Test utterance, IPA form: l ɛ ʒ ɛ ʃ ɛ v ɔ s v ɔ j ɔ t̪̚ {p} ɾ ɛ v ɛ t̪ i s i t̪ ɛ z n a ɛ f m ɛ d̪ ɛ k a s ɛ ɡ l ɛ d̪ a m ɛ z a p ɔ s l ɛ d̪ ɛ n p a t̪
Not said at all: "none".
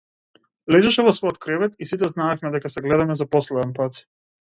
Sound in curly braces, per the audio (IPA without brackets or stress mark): k